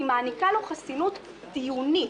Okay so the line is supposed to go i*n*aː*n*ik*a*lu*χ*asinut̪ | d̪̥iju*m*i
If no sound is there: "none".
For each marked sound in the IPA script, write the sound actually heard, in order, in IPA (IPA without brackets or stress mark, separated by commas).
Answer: m, n, a, χ, n